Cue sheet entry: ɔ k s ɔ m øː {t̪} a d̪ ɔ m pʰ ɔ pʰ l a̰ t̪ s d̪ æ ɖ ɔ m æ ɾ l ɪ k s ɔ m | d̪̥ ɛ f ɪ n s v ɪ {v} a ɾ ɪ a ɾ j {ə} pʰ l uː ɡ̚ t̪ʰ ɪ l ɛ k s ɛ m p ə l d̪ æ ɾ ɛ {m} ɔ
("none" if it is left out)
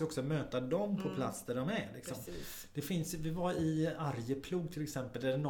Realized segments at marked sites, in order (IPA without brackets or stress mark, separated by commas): t̪, v, ə, n